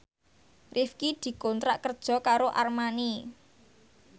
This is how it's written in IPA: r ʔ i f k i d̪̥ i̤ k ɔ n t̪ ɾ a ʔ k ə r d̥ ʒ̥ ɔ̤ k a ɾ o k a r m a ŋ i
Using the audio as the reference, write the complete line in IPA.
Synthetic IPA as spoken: r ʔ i f k i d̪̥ i̤ k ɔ n t̪ ɾ a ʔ k ə r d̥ ʒ̥ ɔ̤ k a ɾ o ʔ a r m a n i